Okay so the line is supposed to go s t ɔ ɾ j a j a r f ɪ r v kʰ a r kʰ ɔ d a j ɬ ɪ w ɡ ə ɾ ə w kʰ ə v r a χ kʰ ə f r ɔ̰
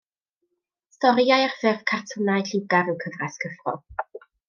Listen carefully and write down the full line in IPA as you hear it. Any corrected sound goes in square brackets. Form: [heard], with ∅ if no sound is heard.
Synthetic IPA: s t ɔ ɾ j a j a r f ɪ r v kʰ a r [tʰ] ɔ [n] a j ɬ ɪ w ɡ [a] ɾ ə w kʰ ə v r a [s] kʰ ə f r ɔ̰